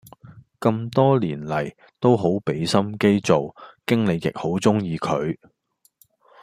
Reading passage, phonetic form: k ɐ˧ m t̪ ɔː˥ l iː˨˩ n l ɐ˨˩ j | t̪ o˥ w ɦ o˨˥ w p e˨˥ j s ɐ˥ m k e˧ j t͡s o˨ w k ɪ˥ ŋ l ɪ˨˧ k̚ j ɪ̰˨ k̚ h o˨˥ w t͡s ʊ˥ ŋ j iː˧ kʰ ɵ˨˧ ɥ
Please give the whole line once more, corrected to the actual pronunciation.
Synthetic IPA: k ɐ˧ m t̪ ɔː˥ l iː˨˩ n l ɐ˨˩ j | t̪ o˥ w ɦ o˨˥ w p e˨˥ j s ɐ˥ m k e˥ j t͡s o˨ w k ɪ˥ ŋ l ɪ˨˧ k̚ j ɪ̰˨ k̚ h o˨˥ w t͡s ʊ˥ ŋ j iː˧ kʰ ɵ˨˧ ɥ